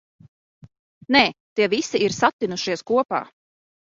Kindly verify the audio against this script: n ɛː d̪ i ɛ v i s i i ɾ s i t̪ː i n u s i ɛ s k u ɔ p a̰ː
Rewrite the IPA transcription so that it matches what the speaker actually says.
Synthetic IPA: n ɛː t̪ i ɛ v i s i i ɾ s a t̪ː i n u ʃ i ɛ s k u ɔ p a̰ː

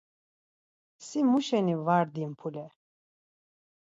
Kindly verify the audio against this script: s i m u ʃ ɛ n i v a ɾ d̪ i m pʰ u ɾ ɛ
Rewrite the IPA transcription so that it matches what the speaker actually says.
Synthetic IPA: s i m u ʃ ɛ n i v a ɾ d̪ i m pʰ u l ɛ

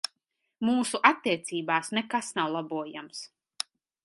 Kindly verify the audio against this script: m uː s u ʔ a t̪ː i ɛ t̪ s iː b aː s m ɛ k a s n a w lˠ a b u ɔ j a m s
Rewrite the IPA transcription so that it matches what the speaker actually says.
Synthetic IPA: m uː s u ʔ a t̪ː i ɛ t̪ s iː b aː s n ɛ k a s n a w lˠ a b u ɔ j a m s

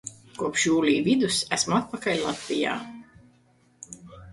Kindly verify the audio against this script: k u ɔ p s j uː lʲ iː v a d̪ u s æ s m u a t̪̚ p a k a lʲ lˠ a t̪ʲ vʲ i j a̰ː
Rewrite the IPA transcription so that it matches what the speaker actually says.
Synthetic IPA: k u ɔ p ʃ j uː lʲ iː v i d̪ u s æ s m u a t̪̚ p a k a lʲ lˠ a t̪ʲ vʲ i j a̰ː

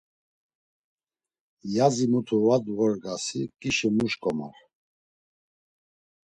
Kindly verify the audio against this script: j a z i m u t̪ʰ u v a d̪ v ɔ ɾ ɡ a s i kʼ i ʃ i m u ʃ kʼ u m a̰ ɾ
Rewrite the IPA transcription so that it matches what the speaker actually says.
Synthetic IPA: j a z i m u t̪ʰ u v a d̪ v ɔ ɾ ɡ a s i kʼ i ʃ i m u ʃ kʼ ɔ m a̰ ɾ

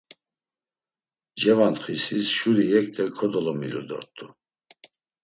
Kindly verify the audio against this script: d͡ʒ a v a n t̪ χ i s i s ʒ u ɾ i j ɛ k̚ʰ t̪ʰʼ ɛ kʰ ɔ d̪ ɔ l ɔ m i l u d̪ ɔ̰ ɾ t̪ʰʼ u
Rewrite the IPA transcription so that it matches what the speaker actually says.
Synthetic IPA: d͡ʒ ɛ v a n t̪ χ i s i s ʃ u ɾ i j ɛ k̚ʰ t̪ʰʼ ɛ kʰ ɔ d̪ ɔ l ɔ m i l u d̪ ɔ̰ ɾ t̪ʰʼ u

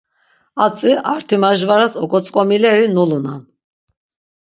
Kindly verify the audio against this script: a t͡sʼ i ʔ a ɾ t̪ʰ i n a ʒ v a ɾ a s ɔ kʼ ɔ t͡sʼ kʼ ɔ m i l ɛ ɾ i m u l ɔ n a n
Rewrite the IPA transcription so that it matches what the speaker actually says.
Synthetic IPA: a t͡sʼ i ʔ a ɾ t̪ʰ i m a ʒ v a ɾ a s ɔ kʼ ɔ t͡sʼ kʼ ɔ m i l ɛ ɾ i n u l u n a n

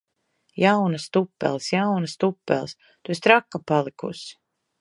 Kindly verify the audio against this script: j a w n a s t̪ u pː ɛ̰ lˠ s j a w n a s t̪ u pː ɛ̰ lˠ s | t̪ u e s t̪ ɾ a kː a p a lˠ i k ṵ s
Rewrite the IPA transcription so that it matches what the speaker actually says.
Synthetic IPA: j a w n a s t̪ u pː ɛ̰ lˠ s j a w n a s t̪ u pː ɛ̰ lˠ s | t̪ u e s t̪ ɾ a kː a p a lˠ i k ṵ s

